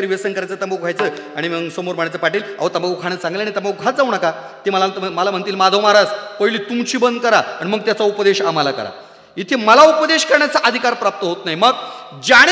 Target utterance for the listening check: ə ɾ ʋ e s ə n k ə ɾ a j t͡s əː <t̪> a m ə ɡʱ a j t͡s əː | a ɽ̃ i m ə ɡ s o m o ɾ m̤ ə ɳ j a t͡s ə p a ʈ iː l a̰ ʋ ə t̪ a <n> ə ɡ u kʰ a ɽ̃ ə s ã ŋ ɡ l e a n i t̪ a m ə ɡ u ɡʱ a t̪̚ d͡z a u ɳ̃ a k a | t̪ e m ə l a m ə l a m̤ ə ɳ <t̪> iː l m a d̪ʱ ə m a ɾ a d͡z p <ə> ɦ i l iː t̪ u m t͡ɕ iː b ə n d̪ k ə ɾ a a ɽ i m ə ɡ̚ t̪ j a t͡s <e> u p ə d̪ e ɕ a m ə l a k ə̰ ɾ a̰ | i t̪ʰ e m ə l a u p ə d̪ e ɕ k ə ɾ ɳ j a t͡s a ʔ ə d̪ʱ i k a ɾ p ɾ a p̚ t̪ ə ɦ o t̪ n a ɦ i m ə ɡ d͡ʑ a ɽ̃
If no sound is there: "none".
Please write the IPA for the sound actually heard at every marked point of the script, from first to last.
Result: t̪, m, t̪, ə, a

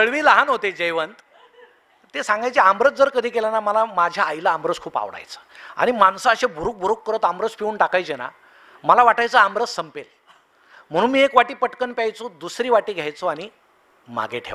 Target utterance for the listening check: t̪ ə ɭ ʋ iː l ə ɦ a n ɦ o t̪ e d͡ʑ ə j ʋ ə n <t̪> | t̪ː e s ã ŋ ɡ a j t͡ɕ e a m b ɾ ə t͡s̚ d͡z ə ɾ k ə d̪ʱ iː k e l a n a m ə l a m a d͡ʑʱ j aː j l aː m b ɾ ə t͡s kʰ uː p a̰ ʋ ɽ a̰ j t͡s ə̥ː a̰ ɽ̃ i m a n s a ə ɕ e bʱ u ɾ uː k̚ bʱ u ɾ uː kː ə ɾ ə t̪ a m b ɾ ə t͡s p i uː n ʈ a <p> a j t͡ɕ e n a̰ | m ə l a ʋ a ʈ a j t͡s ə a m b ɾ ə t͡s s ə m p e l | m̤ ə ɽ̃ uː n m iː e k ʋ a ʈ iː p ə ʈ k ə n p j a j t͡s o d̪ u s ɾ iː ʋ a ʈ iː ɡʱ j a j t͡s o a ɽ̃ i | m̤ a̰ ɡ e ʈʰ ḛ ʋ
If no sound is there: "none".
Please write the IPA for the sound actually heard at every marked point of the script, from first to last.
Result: t̪, k

